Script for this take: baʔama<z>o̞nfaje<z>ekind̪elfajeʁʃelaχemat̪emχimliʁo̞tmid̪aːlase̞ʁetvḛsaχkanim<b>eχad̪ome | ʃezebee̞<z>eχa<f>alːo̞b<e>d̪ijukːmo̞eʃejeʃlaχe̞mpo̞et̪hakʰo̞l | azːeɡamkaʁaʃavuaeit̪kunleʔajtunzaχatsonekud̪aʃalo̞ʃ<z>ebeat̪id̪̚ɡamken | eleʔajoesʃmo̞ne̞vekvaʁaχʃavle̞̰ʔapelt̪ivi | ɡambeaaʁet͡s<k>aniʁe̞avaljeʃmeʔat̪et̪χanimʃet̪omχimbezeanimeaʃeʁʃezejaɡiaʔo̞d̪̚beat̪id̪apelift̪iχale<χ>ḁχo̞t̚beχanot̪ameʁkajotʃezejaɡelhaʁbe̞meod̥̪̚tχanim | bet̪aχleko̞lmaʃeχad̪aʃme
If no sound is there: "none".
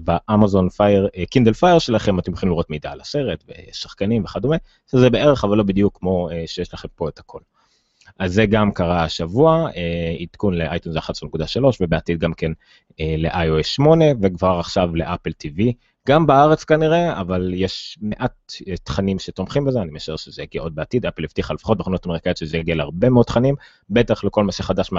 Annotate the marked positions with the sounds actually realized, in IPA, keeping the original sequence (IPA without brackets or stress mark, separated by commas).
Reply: z, ʁ, v, ʁ, v, i, v, k, f